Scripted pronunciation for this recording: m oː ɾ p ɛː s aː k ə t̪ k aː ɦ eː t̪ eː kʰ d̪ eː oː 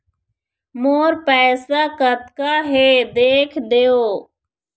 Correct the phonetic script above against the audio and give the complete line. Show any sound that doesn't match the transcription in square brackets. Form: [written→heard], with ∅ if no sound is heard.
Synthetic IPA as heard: m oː ɾ p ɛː s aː k ə t̪ k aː ɦ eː [t̪→d̪] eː kʰ d̪ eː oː